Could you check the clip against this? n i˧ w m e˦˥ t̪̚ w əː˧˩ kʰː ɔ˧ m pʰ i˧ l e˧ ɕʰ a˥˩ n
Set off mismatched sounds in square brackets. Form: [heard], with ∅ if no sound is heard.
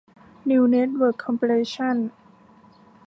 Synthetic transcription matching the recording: n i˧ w [n] e˦˥ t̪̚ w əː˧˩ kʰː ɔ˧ m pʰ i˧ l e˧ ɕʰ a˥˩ n